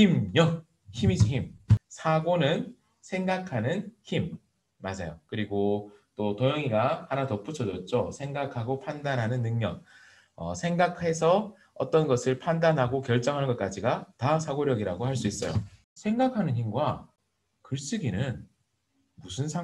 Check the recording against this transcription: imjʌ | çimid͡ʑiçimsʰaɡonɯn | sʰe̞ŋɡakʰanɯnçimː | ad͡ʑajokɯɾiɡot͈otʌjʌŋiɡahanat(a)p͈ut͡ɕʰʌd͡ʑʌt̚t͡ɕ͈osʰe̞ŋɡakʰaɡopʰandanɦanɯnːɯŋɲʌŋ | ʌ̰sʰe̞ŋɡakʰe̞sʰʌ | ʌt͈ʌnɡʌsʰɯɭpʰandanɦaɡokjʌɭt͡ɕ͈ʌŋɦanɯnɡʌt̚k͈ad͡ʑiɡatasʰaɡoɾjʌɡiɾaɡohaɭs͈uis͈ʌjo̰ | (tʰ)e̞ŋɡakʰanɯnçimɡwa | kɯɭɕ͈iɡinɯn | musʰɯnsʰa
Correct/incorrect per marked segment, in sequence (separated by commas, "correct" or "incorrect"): incorrect, incorrect